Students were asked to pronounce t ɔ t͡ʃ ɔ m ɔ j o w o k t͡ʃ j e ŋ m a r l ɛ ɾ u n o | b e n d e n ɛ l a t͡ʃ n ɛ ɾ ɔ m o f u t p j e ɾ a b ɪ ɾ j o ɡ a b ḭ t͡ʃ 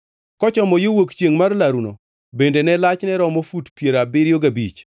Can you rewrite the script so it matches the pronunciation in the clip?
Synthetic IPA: k ɔ t͡ʃ ɔ m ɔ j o w o k t͡ʃ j e ŋ m a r l a ɾ u n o | b e n d e n ɛ l a t͡ʃ n ɛ ɾ ɔ m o f u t p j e ɾ a b ɪ ɾ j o ɡ a b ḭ t͡ʃ